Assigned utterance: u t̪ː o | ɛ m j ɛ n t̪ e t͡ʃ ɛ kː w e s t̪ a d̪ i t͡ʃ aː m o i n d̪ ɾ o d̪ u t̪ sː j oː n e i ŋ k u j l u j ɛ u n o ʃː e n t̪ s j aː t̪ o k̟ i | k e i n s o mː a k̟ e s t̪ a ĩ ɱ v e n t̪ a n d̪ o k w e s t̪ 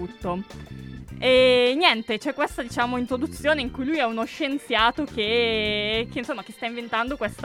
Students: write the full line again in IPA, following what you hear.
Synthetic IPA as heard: u t̪ː o | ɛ n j ɛ n t̪ e t͡ʃ ɛ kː w e s t̪ a d̪ i t͡ʃ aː m o i n t̪ ɾ o d̪ u t̪ sː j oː n e i ŋ k u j l u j ɛ u n o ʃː e n t̪ s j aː t̪ o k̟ e | k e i n s o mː a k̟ e s t̪ a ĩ ɱ v e n t̪ a n d̪ o k w e s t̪